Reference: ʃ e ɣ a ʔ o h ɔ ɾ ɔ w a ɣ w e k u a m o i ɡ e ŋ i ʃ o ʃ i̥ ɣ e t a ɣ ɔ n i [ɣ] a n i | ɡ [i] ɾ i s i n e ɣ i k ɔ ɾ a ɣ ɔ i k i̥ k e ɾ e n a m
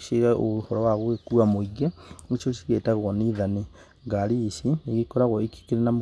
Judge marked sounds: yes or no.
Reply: no, no

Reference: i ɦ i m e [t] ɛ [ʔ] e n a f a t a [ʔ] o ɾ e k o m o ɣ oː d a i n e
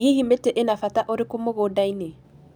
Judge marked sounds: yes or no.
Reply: yes, yes, yes

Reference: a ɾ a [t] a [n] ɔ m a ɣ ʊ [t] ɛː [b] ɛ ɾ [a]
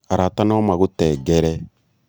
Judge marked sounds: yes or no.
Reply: yes, yes, yes, no, no

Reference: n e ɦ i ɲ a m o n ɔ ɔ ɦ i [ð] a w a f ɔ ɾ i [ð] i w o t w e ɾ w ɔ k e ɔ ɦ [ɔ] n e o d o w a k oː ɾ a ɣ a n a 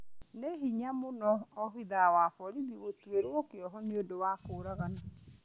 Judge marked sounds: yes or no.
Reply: yes, yes, yes

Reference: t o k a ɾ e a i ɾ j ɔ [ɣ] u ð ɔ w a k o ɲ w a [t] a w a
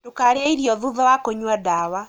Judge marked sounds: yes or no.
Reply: no, no

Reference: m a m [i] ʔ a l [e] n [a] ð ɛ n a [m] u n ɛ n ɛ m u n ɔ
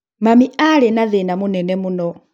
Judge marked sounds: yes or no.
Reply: yes, no, yes, yes

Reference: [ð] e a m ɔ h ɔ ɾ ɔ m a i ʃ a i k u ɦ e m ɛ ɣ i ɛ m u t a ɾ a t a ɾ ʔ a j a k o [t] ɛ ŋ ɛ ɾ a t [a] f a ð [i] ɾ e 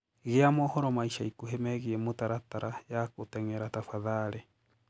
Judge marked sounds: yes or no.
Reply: no, yes, yes, no

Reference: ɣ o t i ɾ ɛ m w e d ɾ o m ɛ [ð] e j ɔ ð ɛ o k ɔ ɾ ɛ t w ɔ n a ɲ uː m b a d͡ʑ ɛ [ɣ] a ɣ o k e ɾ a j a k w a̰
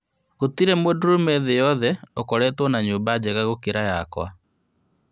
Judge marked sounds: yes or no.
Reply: yes, yes

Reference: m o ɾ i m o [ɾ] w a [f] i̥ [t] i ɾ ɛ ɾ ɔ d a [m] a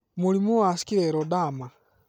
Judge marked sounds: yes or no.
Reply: no, no, no, yes

